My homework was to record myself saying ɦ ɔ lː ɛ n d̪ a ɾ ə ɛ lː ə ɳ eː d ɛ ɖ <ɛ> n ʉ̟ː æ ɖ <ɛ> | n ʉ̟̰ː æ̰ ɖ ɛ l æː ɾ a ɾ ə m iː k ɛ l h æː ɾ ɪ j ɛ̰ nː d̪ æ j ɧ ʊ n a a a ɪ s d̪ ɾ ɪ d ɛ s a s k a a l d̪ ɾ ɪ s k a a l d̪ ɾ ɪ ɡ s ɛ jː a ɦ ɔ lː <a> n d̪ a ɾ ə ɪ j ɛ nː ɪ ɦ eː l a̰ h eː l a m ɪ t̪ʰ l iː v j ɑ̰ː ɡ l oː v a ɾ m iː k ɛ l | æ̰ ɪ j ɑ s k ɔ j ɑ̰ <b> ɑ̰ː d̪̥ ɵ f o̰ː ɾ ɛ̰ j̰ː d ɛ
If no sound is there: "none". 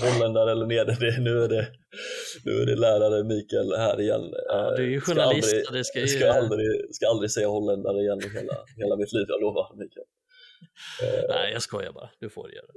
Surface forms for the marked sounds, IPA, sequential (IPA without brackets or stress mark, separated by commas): ɛ, ɛ, ɛ, b